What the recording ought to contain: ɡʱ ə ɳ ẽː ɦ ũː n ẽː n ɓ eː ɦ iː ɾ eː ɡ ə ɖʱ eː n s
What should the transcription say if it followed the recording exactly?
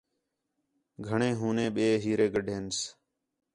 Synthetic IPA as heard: ɡʱ ə ɳ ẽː ɦ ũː n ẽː ɓ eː ɦ iː ɾ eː ɡ ə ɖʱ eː n s